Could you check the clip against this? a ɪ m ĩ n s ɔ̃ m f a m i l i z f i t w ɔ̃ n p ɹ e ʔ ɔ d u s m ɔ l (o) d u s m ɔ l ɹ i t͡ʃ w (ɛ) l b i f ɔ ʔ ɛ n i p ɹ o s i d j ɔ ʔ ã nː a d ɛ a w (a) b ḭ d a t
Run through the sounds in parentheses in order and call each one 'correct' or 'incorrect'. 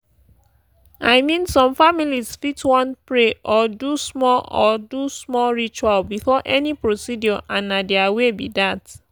incorrect, incorrect, incorrect

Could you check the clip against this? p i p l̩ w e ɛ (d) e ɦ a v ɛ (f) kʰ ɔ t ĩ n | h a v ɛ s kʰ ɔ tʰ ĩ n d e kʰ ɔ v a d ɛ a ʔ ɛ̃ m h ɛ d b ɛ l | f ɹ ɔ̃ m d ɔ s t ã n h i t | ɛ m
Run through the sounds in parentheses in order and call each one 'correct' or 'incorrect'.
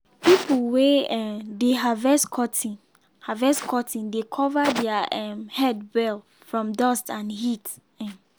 correct, incorrect

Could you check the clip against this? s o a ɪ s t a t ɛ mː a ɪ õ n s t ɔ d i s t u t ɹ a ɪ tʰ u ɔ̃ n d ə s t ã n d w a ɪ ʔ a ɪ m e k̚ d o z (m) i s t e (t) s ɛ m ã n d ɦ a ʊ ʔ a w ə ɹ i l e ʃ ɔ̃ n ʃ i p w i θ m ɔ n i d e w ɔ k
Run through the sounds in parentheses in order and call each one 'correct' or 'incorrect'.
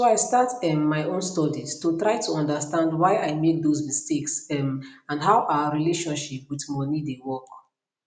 correct, incorrect

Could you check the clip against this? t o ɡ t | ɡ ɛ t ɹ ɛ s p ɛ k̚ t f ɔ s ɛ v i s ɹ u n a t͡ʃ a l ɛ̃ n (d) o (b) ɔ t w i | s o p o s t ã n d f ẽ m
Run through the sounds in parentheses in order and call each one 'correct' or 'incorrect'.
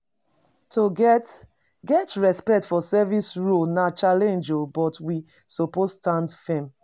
incorrect, correct

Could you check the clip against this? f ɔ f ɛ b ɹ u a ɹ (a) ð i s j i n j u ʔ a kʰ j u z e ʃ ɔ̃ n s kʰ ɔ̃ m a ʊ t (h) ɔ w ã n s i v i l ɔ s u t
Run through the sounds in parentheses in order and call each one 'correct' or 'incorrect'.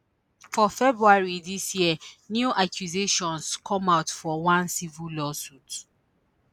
incorrect, incorrect

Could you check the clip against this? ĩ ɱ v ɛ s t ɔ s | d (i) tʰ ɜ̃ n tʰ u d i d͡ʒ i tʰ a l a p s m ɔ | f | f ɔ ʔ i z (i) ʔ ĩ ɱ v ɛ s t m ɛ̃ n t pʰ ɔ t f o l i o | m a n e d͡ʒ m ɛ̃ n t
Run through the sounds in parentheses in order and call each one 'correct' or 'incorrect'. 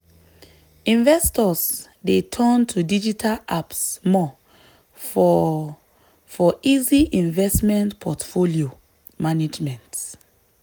incorrect, correct

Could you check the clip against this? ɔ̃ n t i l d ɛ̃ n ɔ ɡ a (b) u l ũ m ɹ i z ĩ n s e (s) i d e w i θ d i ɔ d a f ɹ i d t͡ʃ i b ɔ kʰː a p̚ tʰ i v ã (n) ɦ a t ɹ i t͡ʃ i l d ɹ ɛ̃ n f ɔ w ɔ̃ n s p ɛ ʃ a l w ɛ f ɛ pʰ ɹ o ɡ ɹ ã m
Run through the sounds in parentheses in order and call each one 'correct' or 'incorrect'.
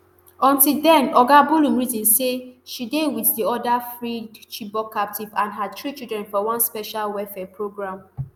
correct, incorrect, correct

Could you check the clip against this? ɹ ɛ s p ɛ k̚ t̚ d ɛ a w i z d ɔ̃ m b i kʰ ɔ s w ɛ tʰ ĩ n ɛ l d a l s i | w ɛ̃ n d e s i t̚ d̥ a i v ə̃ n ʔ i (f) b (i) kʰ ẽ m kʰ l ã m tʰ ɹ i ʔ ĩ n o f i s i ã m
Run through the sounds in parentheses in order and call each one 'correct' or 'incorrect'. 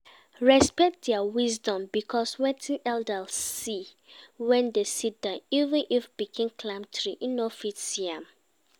correct, correct

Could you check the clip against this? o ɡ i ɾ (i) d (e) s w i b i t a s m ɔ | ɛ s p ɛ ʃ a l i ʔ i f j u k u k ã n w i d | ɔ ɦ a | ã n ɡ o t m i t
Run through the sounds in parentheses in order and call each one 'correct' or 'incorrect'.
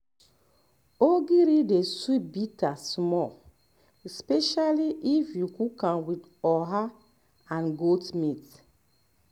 correct, correct

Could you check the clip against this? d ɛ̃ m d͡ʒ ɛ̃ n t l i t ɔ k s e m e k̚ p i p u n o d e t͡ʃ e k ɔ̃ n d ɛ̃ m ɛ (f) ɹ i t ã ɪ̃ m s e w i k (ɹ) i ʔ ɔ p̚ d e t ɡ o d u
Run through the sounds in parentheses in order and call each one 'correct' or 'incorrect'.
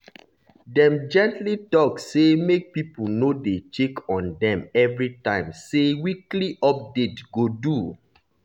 incorrect, incorrect

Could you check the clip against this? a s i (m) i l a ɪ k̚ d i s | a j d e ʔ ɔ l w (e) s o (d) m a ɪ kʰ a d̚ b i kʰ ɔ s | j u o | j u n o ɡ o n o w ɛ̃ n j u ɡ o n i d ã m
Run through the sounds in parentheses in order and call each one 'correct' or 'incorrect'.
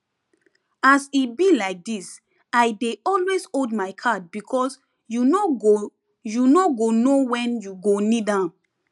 incorrect, correct, correct

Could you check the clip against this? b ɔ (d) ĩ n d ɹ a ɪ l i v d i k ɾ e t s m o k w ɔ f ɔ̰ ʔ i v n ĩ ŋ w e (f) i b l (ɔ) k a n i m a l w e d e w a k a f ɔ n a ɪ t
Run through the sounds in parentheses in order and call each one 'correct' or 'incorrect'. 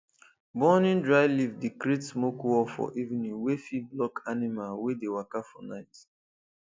incorrect, correct, correct

